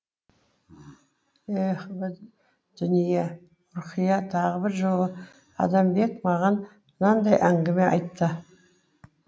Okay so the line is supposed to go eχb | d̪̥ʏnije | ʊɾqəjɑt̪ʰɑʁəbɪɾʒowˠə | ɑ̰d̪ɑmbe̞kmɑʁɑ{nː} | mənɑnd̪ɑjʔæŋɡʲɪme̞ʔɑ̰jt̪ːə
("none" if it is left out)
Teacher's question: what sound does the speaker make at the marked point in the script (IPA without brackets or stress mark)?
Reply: n